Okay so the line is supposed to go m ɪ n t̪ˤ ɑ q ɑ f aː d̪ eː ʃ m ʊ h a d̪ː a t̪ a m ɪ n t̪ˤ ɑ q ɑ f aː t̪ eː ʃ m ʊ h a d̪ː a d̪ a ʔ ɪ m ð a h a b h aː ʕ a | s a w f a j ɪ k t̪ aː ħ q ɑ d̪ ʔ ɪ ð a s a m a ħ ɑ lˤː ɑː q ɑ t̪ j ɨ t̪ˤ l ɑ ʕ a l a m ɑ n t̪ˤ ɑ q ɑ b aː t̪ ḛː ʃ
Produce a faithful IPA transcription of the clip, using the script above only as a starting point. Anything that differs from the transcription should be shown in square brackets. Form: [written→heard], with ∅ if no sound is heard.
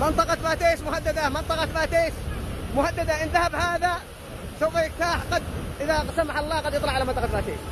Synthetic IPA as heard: m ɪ n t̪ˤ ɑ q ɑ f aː [d̪→t̪] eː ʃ m ʊ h a d̪ː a [t̪→d̪] a m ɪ n t̪ˤ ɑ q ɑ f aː t̪ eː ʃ m ʊ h a d̪ː a d̪ a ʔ ɪ [m→n] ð a h a b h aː [ʕ→ð] a | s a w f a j ɪ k t̪ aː ħ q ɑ d̪ ʔ ɪ ð a s a m a ħ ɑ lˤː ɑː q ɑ [t̪→d̪] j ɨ t̪ˤ l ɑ ʕ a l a m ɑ n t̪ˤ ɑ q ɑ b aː t̪ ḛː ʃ